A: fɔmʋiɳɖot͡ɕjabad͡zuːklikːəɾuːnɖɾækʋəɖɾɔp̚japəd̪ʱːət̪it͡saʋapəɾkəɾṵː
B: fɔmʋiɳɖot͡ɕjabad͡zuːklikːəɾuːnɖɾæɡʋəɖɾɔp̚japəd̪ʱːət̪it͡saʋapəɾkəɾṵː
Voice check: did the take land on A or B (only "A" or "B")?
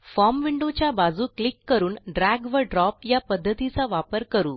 B